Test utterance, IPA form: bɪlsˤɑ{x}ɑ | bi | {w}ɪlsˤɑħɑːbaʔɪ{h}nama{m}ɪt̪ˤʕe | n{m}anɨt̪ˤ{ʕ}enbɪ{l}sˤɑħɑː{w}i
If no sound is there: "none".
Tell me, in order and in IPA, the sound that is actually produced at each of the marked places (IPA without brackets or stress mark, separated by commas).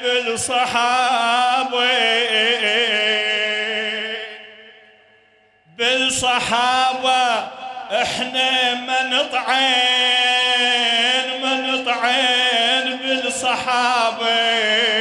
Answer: ħ, b, ħ, n, m, ʕ, l, b